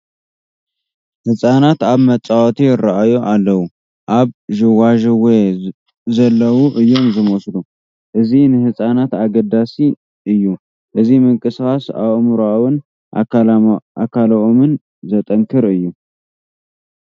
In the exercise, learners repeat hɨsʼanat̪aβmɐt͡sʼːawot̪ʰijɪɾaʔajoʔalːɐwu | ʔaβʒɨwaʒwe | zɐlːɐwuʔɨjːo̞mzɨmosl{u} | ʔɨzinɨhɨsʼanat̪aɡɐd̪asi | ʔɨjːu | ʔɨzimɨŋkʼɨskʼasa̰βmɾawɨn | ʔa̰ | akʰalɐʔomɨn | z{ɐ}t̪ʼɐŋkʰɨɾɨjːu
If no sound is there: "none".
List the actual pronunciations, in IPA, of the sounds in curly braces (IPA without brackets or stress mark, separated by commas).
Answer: u, ɐ